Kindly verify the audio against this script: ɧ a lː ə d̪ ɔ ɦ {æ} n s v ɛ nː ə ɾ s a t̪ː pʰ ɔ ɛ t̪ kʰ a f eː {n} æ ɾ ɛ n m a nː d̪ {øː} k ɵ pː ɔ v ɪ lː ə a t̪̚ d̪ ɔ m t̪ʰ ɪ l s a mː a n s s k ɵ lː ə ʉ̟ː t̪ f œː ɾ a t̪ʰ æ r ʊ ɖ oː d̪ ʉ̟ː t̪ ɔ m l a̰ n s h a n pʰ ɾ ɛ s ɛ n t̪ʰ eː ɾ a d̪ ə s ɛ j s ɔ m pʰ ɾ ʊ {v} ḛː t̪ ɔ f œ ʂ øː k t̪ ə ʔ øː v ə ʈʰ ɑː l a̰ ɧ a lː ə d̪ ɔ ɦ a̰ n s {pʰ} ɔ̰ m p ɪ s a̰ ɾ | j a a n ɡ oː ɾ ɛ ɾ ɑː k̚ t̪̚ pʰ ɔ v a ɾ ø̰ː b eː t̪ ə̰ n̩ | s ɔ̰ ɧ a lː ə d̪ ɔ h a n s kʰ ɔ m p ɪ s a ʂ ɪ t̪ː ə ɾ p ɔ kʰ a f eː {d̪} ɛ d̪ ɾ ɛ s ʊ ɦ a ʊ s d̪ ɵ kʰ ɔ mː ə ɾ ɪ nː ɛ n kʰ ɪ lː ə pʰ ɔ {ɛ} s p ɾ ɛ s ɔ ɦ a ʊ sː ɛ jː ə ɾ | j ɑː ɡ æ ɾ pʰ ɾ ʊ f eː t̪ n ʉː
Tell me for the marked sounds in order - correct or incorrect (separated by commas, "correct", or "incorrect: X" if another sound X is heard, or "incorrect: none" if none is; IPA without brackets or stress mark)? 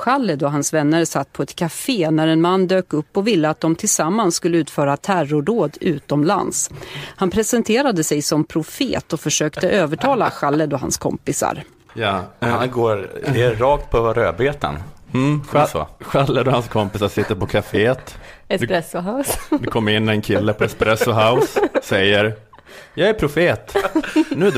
incorrect: a, correct, correct, incorrect: f, incorrect: kʰ, incorrect: t̪, correct